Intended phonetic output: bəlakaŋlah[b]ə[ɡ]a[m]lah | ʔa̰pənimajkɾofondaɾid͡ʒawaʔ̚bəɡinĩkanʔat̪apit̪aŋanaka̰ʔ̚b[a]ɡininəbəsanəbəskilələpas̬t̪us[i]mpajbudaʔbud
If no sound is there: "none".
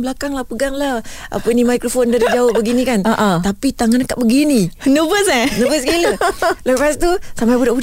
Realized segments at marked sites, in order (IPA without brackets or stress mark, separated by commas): p, ɡ, ŋ, ə, a